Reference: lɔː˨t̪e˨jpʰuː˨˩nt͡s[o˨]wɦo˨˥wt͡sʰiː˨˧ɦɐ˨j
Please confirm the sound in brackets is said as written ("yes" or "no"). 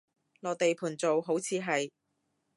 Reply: yes